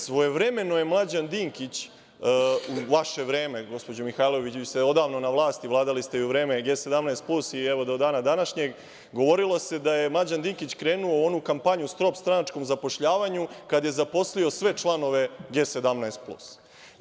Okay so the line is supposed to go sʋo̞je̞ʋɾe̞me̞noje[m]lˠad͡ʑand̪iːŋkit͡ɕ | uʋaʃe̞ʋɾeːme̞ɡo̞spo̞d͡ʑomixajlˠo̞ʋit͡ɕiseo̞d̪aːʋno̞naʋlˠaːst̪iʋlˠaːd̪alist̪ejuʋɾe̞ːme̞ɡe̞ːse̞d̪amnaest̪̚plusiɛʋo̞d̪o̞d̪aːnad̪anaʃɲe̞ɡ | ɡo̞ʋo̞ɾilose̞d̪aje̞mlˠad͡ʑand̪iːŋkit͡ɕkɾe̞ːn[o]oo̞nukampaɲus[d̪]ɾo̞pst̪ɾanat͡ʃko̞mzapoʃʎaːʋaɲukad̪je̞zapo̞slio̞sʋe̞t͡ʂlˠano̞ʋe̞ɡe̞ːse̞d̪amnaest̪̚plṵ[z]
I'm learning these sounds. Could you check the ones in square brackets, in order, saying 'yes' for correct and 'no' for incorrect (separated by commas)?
yes, no, no, no